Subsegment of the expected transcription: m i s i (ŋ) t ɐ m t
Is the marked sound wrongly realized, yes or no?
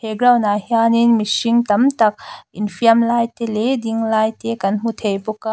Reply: no